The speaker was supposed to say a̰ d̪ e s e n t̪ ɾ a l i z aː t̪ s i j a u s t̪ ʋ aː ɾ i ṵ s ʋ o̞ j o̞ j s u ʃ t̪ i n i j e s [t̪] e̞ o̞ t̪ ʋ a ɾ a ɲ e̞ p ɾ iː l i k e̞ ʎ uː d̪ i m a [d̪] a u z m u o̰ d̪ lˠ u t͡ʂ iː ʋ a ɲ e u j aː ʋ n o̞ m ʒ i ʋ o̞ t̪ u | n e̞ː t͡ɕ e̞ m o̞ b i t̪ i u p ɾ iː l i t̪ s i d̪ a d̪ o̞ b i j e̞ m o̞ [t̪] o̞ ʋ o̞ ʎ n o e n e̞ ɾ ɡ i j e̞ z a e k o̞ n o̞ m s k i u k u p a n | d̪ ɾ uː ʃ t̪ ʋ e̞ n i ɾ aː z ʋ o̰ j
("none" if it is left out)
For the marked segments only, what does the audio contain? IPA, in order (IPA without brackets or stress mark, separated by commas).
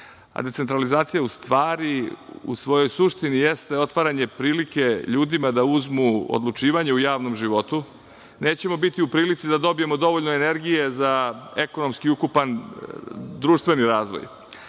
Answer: t̪, d̪, d̪